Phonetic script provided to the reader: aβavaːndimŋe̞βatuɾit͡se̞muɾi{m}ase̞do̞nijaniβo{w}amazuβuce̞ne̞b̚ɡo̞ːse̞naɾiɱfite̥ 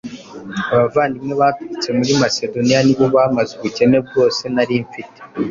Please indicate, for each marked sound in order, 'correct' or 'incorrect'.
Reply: correct, incorrect: β

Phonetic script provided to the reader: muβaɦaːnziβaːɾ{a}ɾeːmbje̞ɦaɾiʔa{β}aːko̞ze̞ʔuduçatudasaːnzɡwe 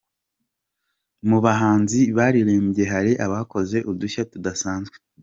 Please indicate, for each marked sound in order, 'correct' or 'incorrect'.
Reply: incorrect: i, correct

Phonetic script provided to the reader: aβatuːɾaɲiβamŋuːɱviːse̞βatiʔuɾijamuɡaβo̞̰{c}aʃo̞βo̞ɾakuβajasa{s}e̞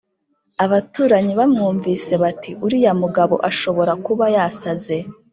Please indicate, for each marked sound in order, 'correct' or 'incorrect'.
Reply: incorrect: ʔ, incorrect: z

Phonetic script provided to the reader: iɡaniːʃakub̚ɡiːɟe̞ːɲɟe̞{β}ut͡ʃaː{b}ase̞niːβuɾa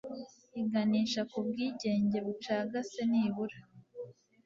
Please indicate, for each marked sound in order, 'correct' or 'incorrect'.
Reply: correct, incorrect: ɡ

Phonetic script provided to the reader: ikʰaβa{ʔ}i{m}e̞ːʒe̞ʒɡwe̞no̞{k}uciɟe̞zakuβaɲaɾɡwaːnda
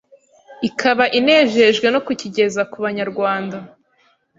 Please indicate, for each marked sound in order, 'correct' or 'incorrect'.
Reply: correct, incorrect: n, correct

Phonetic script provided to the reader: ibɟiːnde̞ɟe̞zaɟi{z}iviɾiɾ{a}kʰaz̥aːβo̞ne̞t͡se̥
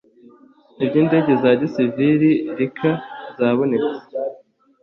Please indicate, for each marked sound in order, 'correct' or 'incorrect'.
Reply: incorrect: s, incorrect: i

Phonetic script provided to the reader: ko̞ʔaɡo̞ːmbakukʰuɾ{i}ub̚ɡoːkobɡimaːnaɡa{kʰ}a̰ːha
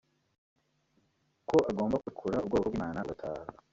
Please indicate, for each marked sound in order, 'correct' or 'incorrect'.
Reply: incorrect: a, incorrect: tʰ

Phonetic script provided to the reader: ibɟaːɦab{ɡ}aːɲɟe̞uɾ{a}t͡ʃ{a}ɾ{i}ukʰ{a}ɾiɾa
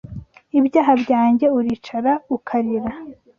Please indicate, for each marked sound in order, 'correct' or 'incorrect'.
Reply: incorrect: ɟ, incorrect: i, correct, incorrect: a, correct

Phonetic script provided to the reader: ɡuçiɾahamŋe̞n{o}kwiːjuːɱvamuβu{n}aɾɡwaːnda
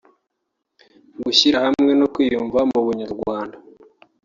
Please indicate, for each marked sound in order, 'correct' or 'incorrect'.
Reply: correct, incorrect: ɲ

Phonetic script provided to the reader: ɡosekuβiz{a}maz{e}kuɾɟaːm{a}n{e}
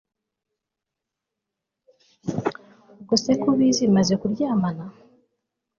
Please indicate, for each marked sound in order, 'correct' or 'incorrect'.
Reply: incorrect: i, correct, correct, incorrect: a

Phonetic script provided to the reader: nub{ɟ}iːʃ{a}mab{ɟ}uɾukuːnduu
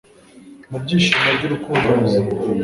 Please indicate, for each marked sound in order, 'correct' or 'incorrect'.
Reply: correct, incorrect: i, correct

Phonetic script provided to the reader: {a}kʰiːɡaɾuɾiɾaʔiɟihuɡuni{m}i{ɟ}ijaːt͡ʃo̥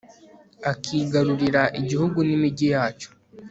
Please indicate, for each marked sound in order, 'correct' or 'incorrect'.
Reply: correct, correct, correct

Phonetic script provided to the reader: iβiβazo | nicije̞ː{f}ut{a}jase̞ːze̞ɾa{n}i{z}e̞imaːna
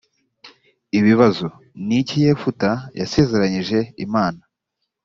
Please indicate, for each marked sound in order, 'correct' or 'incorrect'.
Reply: correct, correct, incorrect: ɲ, incorrect: ʒ

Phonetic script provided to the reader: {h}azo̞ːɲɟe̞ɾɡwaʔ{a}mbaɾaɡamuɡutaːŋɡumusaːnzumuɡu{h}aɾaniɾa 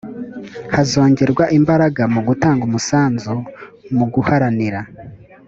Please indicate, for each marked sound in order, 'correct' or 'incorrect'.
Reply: correct, incorrect: i, correct

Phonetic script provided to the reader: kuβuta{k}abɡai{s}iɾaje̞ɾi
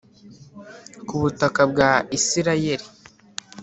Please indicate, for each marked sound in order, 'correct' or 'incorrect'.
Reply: correct, correct

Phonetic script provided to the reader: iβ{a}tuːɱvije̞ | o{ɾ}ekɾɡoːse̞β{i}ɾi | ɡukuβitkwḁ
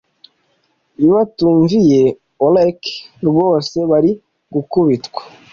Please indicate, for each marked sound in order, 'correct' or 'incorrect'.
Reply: correct, incorrect: l, incorrect: a

